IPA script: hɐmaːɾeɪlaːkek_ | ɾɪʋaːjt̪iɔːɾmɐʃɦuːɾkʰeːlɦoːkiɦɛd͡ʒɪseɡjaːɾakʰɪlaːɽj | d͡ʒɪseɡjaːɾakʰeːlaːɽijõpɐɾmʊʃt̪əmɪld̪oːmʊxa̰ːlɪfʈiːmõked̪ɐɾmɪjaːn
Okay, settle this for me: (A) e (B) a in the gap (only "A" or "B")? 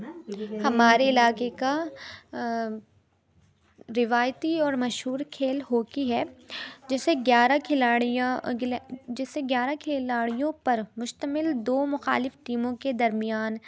B